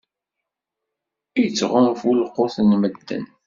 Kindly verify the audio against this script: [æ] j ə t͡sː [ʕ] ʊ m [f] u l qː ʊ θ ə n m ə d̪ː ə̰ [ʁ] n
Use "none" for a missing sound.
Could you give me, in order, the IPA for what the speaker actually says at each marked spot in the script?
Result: i, ʁ, f, none

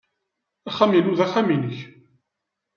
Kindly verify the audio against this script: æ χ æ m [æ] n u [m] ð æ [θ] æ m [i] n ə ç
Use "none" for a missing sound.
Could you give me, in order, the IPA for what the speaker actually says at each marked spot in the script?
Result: i, none, χ, i

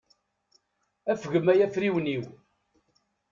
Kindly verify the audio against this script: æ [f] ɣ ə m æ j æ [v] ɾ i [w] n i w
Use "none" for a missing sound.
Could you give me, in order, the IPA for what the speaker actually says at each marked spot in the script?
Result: f, f, w

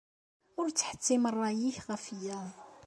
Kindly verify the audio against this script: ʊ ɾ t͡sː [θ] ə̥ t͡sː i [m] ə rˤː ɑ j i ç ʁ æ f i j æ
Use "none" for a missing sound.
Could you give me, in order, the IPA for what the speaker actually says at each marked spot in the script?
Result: ħ, m

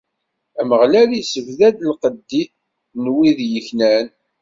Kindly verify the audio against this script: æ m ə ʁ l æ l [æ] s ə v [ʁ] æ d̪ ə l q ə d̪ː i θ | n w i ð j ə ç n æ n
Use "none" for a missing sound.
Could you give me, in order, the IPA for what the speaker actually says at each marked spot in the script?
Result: i, ð

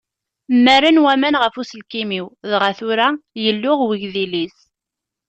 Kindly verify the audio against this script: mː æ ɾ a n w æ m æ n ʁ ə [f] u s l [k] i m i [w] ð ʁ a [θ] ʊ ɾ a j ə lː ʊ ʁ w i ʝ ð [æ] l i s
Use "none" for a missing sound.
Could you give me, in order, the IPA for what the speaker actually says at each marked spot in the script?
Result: f, k, w, θ, i

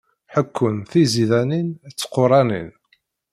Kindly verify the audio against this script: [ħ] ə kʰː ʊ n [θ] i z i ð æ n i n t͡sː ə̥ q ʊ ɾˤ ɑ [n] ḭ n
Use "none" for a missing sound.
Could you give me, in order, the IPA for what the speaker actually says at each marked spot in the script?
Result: ħ, θ, n

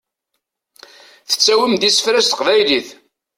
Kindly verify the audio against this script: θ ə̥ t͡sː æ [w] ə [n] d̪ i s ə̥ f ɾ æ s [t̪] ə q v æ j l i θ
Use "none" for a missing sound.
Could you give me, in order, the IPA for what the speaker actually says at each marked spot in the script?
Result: w, m, t̪

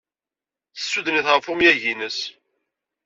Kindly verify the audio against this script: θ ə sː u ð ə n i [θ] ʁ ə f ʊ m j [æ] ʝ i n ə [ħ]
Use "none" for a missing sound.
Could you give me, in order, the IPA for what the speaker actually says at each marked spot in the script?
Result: θ, æ, s

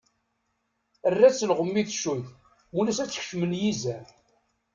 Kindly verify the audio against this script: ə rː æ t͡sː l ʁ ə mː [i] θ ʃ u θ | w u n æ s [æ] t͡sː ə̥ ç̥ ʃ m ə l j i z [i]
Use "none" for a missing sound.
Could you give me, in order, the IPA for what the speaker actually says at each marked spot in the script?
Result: i, æ, æ

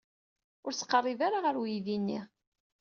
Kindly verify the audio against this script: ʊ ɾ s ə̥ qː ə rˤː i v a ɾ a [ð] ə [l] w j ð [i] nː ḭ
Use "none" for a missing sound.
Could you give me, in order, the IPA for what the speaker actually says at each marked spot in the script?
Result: ʁ, ɾ, i

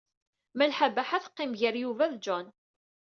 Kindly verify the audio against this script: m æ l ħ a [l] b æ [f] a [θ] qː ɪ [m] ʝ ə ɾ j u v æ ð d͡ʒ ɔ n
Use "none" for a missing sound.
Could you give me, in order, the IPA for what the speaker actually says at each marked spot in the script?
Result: none, ħ, θ, m

